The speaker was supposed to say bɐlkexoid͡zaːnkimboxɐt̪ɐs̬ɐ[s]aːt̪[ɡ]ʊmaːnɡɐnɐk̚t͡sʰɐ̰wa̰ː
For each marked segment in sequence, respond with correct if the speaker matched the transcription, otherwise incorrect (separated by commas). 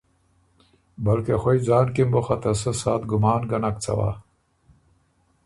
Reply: correct, correct